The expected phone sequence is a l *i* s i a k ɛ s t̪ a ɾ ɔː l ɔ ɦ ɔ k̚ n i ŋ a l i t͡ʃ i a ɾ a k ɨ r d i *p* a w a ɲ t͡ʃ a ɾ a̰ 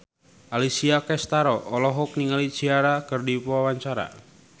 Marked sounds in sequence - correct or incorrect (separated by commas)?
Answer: correct, correct